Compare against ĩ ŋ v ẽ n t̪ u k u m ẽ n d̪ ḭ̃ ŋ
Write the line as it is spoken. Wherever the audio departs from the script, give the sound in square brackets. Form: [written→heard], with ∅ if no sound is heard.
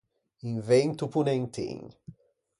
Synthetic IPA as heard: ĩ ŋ v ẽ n t̪ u [k→p] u [m→n] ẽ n [d̪→t̪] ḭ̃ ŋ